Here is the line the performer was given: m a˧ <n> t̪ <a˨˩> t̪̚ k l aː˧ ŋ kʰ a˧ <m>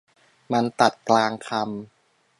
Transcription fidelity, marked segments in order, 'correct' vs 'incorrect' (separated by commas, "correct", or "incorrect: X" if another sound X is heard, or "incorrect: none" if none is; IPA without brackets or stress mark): correct, correct, correct